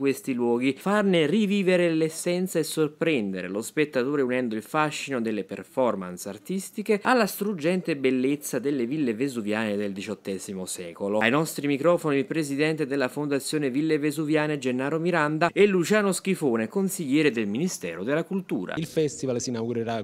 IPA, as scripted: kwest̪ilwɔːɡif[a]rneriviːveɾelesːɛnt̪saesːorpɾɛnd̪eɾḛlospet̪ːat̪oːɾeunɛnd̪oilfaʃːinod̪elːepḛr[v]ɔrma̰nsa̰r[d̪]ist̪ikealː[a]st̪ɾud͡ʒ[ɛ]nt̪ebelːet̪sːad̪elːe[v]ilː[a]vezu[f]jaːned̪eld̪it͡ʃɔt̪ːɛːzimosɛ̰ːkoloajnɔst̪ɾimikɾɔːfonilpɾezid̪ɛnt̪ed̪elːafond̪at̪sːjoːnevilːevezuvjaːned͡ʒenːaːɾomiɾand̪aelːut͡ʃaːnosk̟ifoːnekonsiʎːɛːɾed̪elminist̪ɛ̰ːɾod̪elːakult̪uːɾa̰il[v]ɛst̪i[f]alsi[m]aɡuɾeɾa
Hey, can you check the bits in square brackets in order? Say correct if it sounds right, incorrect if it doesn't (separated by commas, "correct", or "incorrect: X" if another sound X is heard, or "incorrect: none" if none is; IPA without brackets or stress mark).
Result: correct, incorrect: f, incorrect: t̪, correct, correct, correct, incorrect: e, incorrect: v, incorrect: f, incorrect: v, incorrect: n